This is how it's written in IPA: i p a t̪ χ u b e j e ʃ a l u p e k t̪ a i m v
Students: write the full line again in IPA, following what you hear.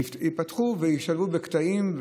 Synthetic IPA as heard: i p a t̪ χ u v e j i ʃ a l u b e k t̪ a i m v